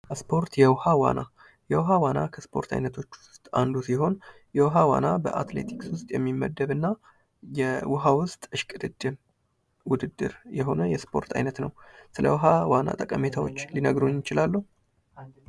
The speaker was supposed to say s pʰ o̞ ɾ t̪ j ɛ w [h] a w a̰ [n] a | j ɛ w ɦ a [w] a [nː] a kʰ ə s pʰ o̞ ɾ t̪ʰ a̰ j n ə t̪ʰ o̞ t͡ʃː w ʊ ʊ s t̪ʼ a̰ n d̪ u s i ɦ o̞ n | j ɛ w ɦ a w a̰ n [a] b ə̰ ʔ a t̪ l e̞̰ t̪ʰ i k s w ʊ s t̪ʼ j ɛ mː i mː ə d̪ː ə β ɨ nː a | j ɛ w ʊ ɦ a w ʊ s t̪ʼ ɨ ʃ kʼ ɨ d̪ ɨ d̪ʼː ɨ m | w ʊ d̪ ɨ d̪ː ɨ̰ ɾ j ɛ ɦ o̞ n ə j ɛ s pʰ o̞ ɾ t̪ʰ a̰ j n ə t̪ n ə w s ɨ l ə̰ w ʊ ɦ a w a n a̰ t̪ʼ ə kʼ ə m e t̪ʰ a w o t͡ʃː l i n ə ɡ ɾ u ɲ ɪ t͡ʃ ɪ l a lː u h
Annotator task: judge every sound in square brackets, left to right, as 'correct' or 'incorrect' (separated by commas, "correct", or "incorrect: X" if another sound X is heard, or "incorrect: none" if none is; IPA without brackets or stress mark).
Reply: correct, correct, correct, incorrect: n, correct